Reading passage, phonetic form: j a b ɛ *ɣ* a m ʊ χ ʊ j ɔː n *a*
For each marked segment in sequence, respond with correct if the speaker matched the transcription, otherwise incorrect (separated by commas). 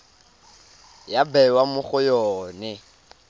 incorrect, incorrect